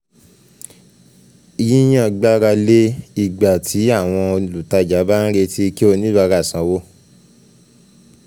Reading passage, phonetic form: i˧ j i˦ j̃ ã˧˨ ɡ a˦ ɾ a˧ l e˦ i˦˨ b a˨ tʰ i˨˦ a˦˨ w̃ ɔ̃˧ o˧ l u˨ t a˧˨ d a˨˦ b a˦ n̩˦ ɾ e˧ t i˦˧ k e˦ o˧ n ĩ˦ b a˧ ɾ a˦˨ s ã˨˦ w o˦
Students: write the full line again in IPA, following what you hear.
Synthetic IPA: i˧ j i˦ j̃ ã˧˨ ɡ͡b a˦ ɾ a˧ l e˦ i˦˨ ɡ͡b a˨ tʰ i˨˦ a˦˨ w̃ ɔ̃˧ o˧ l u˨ t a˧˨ d͡ʒ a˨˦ b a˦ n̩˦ ɾ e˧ t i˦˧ k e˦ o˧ n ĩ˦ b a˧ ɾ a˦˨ s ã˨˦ w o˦